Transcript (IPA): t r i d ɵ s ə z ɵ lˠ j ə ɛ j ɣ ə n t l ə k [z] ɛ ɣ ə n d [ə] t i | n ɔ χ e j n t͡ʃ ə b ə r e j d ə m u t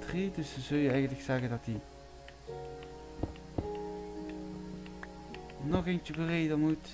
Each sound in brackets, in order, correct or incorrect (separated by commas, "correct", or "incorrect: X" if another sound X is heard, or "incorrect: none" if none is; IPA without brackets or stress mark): incorrect: s, incorrect: ɑ